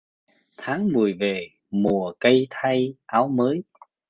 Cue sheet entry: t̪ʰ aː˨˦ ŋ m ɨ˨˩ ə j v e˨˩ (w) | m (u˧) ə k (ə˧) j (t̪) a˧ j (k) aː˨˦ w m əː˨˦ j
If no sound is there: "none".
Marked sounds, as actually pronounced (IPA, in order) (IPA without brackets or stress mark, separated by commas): none, u˨˩, ə˧, t̪ʰ, ʔ